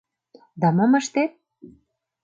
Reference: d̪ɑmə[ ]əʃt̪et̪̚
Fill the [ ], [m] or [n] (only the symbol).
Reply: m